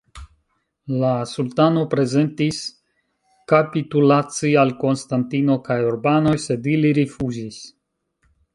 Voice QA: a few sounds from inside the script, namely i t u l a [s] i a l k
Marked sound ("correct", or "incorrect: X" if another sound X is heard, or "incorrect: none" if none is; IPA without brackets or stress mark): incorrect: t͡s